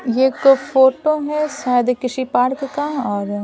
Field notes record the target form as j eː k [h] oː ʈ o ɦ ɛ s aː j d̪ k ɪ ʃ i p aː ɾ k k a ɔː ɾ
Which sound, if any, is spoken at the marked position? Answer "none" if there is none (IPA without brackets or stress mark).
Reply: f